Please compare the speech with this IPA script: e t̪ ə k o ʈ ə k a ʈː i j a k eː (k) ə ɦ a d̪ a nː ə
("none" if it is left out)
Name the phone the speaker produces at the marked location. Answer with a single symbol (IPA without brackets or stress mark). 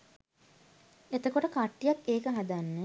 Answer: k